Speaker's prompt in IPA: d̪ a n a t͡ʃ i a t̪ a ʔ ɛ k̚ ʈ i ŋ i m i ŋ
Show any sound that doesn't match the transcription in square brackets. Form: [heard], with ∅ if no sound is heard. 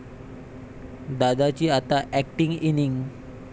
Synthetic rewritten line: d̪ a [d] a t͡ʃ i a t̪ a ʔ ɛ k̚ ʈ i ŋ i [n] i ŋ